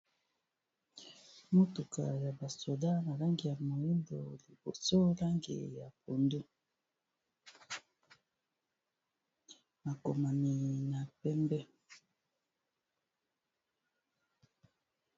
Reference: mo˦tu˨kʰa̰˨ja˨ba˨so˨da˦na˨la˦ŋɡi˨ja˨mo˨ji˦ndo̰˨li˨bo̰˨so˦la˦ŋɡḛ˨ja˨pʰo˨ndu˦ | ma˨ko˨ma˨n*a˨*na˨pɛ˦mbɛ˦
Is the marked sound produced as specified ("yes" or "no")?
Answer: no